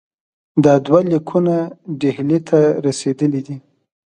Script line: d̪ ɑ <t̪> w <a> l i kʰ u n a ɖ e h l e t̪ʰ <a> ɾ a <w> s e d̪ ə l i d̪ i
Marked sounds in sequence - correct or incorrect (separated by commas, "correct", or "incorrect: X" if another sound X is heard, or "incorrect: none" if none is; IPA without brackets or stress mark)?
incorrect: d̪, correct, correct, incorrect: none